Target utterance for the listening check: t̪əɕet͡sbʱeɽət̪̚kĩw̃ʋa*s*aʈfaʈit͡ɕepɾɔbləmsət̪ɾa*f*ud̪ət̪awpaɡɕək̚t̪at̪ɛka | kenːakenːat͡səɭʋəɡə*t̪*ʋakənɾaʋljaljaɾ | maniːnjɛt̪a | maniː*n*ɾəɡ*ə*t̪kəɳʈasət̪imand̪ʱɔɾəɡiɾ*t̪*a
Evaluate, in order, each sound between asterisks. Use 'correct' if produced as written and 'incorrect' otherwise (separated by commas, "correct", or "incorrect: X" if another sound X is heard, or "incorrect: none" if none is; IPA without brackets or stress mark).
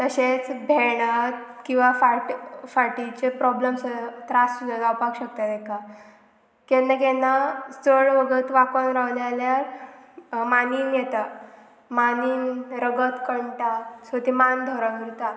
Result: incorrect: f, incorrect: s, correct, correct, correct, correct